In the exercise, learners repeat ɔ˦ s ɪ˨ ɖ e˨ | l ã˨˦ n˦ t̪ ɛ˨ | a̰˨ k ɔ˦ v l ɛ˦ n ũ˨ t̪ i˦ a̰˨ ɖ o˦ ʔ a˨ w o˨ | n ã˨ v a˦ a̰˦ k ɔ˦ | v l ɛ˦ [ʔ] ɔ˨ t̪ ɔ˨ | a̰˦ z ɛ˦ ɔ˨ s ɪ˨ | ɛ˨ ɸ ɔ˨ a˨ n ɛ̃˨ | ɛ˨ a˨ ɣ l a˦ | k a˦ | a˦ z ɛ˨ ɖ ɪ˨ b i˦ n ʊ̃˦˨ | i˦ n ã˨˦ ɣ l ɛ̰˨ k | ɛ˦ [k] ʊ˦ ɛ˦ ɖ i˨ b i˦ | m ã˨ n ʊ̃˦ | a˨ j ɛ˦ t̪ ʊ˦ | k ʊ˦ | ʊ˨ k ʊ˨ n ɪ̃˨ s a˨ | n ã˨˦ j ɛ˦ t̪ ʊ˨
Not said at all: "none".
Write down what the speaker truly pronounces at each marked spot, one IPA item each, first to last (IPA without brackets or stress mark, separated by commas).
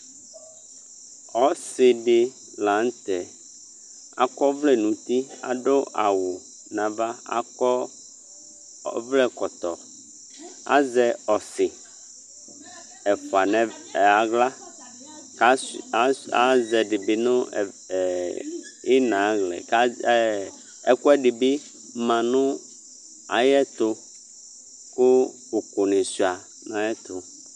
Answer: k, k